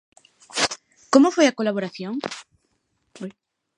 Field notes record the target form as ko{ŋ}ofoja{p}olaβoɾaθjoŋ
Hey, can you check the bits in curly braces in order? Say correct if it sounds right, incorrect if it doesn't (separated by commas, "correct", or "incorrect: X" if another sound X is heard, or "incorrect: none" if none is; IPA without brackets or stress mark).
incorrect: m, incorrect: k